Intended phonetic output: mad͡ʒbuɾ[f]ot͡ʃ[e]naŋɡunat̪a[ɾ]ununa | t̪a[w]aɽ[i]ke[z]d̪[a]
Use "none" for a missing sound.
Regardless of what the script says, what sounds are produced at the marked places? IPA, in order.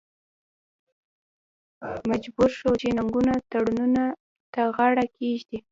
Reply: ʃ, e, ɽ, ɣ, a, ʒ, i

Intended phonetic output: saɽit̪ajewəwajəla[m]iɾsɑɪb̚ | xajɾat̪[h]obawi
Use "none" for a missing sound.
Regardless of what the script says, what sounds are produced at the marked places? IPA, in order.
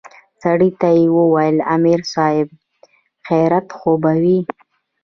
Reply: m, x

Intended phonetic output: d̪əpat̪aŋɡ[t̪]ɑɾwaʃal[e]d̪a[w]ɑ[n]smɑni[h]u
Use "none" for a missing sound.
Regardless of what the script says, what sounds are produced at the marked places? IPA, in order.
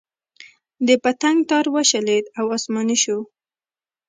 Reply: t̪, e, w, none, ʃ

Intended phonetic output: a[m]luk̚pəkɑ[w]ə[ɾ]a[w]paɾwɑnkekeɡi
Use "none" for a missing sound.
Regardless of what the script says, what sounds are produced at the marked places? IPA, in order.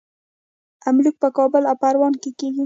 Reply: m, b, l, w

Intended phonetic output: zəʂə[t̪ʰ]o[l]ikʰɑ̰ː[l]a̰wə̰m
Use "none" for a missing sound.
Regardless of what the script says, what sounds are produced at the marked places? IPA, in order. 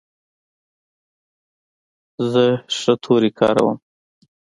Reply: t̪ʰ, ɾ, ɾ

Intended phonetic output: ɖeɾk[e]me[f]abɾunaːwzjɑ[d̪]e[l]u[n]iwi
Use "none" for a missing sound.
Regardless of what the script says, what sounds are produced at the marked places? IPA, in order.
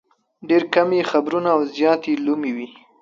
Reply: a, x, t̪, l, m

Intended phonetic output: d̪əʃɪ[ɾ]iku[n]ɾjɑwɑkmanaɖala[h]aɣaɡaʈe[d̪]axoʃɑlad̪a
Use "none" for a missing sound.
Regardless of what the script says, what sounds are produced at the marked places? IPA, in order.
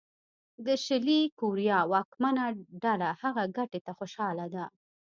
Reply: l, none, h, t̪

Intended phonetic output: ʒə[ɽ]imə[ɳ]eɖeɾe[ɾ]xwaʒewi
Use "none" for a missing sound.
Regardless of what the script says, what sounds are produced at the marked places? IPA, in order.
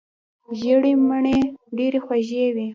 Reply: ɽ, ɳ, none

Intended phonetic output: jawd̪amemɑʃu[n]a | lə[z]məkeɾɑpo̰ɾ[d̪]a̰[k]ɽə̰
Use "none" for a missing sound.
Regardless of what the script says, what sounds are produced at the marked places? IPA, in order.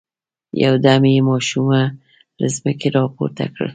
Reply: m, z, t̪, k

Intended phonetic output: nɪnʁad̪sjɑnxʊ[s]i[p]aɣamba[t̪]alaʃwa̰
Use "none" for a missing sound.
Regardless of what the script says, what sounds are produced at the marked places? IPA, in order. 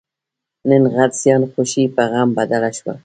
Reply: ʃ, p, d̪

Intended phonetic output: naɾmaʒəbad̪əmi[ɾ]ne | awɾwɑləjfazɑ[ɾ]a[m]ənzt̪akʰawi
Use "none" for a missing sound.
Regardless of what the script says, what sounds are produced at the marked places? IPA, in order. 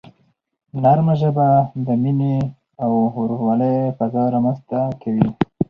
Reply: none, ɾ, m

